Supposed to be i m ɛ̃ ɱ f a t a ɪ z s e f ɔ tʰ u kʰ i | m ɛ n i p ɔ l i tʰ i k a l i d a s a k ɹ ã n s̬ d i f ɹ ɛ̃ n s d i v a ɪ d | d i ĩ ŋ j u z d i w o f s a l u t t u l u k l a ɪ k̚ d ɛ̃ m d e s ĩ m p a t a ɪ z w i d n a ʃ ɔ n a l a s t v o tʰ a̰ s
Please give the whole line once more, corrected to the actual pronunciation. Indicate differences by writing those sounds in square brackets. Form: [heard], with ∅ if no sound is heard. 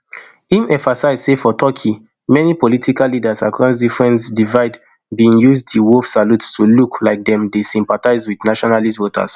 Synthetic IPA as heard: i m ɛ̃ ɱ f a [s] a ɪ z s e f ɔ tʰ [ɔ] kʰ i | m ɛ n i p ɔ l i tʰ i k a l i d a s a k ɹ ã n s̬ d i f ɹ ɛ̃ n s d i v a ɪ d | [b] i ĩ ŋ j u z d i w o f s a l u t t u l u k l a ɪ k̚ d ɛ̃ m d e s ĩ m p a t a ɪ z w i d n a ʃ ɔ n a l [i] s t v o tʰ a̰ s